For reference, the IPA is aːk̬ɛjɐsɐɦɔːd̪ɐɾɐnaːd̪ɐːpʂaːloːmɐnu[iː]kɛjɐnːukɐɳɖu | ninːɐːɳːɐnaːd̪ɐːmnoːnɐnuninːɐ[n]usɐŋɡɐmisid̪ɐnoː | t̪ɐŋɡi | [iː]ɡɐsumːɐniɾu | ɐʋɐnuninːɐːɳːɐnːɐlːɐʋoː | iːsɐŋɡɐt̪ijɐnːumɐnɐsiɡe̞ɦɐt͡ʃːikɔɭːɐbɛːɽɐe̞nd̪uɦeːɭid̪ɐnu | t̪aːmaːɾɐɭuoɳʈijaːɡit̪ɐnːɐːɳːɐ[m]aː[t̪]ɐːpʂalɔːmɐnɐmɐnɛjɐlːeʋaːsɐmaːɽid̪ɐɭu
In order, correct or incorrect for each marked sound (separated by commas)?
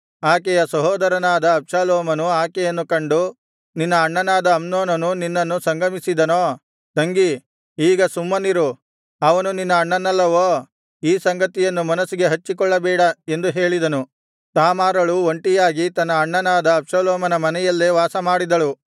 incorrect, incorrect, correct, incorrect, incorrect